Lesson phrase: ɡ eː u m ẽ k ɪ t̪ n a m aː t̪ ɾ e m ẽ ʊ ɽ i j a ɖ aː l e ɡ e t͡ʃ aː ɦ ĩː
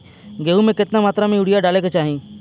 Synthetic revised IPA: ɡ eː u m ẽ k ɪ t̪ n a m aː t̪ ɾ a m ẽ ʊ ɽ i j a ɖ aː l e k e t͡ʃ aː ɦ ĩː